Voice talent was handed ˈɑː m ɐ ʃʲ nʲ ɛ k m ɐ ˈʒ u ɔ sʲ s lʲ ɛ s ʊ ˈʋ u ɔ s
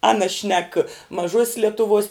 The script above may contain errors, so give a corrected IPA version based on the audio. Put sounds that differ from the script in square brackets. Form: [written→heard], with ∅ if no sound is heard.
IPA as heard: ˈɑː [m→n] ɐ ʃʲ nʲ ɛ k m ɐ ˈʒ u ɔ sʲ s lʲ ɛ [s→t] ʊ ˈʋ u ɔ s